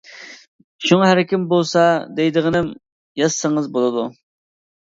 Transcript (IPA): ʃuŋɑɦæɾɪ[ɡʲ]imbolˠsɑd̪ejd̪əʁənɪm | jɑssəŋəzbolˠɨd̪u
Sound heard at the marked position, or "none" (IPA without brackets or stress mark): kʲ